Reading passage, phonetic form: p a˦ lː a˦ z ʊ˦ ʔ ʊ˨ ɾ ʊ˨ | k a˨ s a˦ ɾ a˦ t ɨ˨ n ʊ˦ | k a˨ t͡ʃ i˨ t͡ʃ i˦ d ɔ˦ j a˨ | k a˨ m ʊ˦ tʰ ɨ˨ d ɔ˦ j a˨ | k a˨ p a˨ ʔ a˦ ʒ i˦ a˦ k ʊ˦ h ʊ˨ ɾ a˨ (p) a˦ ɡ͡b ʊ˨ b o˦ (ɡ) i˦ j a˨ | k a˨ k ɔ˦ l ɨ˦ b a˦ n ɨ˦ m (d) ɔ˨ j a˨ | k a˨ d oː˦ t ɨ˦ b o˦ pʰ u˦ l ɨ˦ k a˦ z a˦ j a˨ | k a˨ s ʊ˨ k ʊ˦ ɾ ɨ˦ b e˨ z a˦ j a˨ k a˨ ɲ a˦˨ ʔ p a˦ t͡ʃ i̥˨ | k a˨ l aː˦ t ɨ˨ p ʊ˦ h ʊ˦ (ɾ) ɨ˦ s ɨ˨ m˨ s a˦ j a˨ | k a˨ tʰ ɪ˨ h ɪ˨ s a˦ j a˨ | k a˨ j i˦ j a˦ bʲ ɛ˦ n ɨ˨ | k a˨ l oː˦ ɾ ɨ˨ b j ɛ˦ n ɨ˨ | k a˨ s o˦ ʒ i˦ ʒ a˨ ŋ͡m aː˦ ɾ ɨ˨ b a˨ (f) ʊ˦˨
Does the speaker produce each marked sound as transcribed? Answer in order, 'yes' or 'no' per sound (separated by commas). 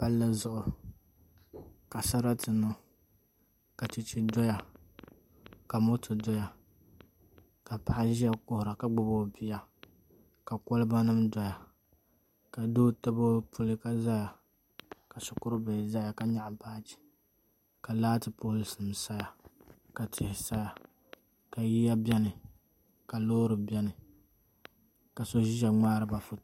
no, no, yes, no, yes